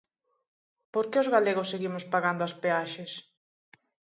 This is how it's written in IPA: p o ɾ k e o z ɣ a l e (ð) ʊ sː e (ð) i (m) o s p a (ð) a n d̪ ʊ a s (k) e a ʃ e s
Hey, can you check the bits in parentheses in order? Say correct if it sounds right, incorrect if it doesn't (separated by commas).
incorrect, incorrect, correct, incorrect, incorrect